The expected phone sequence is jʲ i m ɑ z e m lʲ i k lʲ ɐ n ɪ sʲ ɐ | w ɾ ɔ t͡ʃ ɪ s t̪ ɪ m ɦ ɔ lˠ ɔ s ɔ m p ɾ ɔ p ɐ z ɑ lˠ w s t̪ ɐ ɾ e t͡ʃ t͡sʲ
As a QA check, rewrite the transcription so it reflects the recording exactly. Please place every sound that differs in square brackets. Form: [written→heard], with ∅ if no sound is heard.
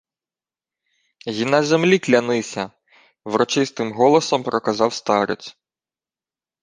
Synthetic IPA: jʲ i [m→n] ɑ z e m lʲ i k lʲ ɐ n ɪ sʲ ɐ | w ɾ ɔ t͡ʃ ɪ s t̪ ɪ m ɦ ɔ lˠ ɔ s ɔ m p ɾ ɔ [p→k] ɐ z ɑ [lˠ→∅] w s t̪ [ɐ→ɑ] ɾ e [t͡ʃ→∅] t͡sʲ